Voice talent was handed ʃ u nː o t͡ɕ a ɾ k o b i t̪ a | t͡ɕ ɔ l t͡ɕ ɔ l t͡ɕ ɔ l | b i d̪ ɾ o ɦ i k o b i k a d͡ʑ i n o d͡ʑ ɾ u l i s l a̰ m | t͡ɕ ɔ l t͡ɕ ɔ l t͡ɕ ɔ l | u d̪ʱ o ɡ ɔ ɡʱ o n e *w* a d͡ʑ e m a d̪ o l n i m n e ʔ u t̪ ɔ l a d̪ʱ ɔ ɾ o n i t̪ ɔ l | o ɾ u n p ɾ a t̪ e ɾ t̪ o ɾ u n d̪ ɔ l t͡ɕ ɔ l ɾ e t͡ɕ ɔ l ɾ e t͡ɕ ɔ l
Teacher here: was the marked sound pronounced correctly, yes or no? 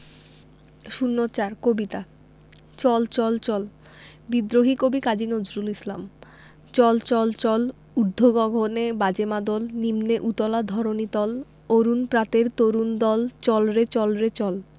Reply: no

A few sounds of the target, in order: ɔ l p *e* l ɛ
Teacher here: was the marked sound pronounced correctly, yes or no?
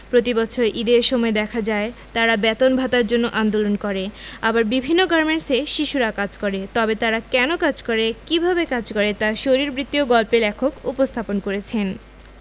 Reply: yes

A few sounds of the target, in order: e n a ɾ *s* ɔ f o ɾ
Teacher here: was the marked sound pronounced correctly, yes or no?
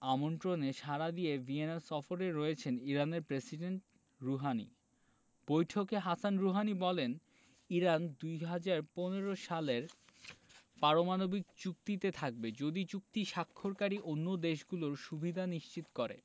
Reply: yes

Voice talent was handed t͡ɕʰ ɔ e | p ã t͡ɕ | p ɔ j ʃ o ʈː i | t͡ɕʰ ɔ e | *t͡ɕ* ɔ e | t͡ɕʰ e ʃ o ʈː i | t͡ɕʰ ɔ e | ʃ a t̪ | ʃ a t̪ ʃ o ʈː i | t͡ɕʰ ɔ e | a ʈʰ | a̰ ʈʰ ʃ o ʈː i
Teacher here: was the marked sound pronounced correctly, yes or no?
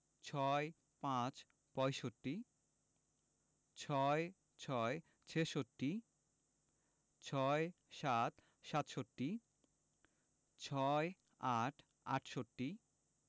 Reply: no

